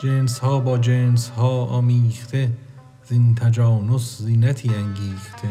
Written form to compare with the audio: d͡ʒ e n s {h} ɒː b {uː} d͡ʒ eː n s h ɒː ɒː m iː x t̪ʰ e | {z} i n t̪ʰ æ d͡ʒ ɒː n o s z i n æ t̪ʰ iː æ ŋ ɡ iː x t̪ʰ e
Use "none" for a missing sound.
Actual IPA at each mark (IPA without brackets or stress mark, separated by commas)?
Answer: h, ɒː, z